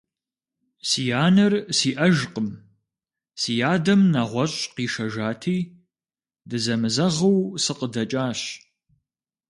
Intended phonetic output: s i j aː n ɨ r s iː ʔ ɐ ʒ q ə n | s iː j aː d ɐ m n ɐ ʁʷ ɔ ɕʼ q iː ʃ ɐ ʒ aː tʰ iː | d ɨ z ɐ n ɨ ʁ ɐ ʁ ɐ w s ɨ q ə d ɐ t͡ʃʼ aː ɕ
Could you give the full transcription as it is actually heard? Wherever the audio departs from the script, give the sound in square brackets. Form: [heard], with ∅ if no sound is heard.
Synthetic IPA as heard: s i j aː n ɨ r s iː ʔ ɐ ʒ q ə [m] | s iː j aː d ɐ m n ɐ ʁʷ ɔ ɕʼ q iː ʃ ɐ ʒ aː tʰ iː | d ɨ z ɐ [m] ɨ [z] ɐ ʁ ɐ w s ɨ q ə d ɐ t͡ʃʼ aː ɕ